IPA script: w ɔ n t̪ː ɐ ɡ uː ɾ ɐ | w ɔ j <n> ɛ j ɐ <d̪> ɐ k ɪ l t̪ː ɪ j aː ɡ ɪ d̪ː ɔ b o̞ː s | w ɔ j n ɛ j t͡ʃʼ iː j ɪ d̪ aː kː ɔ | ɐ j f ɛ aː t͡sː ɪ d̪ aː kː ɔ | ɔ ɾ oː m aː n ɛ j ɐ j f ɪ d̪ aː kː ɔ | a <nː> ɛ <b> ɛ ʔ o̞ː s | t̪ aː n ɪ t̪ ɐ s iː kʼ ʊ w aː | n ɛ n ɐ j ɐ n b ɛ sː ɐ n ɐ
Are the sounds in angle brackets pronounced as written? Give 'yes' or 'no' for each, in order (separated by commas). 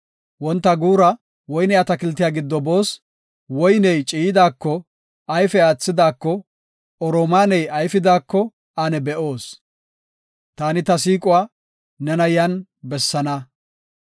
yes, no, no, yes